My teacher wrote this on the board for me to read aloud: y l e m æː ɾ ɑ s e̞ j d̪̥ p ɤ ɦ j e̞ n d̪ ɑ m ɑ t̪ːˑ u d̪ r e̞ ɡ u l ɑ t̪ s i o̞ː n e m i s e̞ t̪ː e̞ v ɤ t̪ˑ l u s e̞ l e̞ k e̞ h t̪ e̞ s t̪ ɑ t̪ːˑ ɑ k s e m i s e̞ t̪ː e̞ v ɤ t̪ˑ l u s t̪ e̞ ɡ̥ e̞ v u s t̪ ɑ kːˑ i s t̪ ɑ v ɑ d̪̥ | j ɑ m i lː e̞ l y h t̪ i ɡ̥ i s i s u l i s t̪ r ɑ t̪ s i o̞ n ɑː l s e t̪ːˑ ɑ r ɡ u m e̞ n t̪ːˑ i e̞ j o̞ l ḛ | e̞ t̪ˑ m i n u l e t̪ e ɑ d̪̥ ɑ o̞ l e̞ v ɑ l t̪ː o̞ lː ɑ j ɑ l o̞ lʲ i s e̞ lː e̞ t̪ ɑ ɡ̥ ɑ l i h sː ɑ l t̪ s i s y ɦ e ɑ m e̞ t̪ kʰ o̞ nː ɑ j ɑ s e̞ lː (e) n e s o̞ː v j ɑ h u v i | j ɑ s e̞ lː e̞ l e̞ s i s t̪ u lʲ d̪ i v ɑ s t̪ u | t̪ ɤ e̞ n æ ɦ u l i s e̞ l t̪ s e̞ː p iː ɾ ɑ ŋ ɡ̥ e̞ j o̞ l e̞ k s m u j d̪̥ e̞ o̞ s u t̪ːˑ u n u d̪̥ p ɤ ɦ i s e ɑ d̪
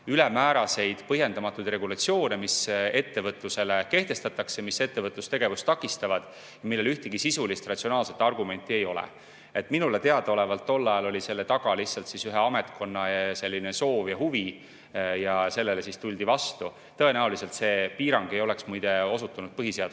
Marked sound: incorrect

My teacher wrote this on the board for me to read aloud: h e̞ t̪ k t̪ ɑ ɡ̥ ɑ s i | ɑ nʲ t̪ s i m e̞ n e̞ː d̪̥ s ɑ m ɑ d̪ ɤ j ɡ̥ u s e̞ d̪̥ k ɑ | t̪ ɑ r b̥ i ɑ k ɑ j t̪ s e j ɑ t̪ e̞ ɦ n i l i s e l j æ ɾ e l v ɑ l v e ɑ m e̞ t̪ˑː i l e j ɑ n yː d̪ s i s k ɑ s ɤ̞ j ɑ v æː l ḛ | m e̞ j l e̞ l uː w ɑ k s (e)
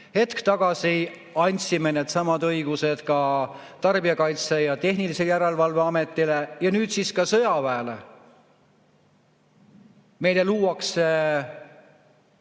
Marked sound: correct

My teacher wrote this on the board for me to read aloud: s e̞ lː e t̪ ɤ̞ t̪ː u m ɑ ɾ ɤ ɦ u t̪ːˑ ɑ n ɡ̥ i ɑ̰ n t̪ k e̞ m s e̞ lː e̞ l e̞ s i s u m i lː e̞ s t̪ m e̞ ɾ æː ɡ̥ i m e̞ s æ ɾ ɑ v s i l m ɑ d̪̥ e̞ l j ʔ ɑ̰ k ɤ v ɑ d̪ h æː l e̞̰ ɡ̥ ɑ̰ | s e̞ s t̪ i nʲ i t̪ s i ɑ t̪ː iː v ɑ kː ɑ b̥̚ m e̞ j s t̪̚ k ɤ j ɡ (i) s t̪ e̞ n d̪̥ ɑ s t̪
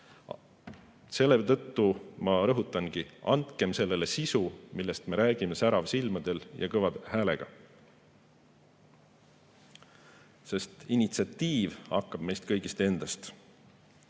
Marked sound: correct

